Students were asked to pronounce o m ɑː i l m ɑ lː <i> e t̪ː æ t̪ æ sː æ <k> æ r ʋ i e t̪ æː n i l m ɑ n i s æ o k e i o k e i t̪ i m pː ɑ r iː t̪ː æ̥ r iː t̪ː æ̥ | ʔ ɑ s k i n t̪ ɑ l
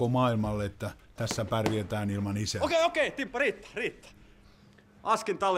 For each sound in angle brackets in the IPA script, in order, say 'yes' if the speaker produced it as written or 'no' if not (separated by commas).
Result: no, no